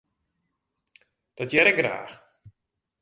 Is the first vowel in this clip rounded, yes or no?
yes